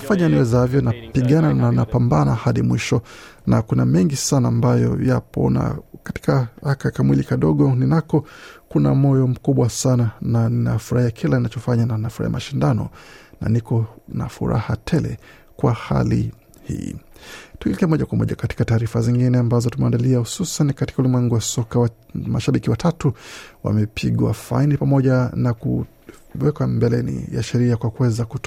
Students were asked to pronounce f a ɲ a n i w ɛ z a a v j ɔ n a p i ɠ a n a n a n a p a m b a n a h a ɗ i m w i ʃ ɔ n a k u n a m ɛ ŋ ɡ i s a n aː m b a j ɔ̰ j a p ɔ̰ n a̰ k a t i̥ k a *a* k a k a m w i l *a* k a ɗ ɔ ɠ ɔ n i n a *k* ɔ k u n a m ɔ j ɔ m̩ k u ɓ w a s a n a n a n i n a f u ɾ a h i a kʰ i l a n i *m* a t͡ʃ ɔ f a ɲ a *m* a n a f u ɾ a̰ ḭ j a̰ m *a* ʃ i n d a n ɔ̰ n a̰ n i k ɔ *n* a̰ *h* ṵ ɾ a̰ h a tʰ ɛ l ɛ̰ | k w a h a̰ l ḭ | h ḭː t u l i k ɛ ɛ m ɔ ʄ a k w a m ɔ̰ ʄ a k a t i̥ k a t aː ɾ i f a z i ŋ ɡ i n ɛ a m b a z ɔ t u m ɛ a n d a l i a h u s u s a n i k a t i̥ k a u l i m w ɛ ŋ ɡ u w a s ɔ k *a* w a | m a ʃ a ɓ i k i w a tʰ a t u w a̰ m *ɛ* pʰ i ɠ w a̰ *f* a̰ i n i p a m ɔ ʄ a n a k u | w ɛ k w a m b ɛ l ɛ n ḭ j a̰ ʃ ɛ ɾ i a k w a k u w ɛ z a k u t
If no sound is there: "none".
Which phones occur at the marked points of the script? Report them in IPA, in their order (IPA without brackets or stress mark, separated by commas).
a, i, k, n, n, a, n, f, a, ɛ, f